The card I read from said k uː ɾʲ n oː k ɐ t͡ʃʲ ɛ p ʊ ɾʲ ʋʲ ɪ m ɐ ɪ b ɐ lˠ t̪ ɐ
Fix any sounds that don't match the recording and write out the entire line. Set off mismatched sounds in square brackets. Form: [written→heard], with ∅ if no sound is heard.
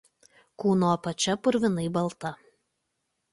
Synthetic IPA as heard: k uː [ɾʲ→∅] n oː [k→p] ɐ t͡ʃʲ ɛ p ʊ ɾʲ ʋʲ ɪ [m→n] ɐ ɪ b ɐ lˠ t̪ ɐ